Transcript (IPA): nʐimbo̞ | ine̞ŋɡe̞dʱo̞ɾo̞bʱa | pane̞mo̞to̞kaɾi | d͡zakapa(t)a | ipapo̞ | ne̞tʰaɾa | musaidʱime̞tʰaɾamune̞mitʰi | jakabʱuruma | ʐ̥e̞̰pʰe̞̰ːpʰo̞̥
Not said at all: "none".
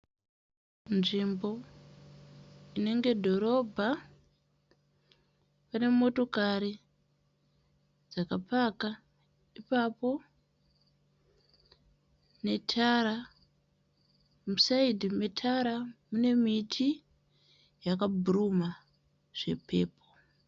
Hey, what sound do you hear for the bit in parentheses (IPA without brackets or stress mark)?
k